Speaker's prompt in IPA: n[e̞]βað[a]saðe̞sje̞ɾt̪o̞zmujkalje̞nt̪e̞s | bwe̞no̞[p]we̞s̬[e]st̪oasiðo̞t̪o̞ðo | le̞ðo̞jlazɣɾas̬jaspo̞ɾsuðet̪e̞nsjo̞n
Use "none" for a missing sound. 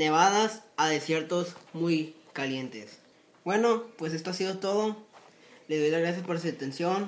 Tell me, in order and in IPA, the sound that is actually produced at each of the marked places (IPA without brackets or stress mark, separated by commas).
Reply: e̞, a, p, e